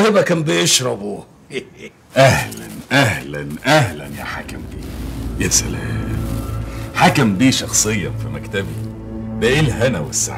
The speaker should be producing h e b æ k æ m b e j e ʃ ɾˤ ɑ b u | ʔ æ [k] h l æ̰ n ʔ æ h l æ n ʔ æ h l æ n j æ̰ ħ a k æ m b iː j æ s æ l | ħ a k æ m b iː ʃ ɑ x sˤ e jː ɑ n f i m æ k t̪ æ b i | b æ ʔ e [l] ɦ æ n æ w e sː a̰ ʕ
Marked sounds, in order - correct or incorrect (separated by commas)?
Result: incorrect, correct